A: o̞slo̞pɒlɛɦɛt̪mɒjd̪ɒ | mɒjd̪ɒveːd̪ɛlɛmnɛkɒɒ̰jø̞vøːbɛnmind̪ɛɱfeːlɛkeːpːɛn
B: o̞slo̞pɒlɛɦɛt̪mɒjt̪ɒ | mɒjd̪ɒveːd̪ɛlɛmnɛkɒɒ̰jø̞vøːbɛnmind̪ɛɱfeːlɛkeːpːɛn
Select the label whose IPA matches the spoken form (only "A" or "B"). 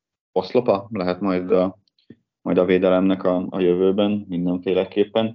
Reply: A